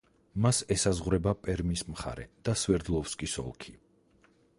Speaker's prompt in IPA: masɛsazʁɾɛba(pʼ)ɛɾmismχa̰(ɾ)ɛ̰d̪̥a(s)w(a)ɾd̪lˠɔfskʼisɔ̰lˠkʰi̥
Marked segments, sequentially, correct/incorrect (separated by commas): correct, correct, correct, incorrect